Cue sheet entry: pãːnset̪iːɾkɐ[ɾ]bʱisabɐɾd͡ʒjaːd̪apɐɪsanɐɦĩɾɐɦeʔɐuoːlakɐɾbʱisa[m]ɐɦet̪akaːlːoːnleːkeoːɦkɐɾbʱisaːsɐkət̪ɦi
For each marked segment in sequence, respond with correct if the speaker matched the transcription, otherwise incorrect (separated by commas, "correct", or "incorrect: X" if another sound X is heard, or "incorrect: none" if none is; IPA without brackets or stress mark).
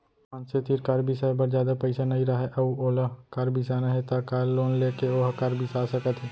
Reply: correct, incorrect: n